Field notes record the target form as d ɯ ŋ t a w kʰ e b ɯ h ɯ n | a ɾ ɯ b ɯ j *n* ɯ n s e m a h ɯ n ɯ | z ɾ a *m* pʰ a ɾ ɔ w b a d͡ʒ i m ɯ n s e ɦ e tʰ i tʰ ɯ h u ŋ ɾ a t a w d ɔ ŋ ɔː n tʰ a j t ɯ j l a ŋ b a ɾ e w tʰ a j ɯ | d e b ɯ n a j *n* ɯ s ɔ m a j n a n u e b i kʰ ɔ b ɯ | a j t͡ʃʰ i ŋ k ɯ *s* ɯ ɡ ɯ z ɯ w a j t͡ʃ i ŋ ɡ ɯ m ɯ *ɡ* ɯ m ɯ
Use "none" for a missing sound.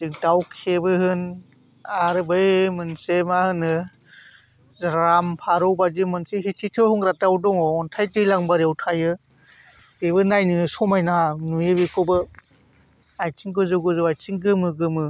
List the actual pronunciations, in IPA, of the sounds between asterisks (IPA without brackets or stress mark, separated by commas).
m, m, n, z, ɡ